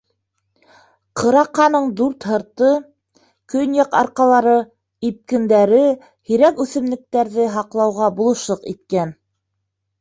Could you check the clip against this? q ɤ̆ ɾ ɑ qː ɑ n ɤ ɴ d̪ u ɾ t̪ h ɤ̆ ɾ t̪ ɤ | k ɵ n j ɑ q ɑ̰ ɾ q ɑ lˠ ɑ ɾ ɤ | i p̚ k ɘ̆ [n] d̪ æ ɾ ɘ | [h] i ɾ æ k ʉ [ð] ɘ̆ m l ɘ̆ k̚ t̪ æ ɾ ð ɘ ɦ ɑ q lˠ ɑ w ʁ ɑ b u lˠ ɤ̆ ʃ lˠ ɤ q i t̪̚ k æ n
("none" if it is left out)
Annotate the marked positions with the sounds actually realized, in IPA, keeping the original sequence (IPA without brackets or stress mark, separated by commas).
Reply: n, h, θ